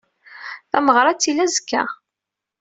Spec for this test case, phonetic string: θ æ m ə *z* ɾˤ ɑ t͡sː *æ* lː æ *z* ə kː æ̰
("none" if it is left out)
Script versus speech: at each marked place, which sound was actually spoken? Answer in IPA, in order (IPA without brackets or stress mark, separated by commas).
ʁ, i, z